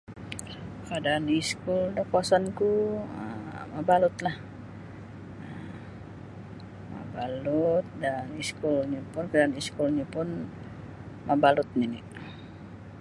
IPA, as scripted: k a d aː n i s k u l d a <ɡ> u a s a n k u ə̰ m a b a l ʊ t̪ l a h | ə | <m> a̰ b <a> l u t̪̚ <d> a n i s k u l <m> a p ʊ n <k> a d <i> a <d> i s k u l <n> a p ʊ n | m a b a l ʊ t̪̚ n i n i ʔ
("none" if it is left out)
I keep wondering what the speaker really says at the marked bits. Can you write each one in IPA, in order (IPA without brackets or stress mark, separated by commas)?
k, m, a, d, ɲ, k, a, n, ɲ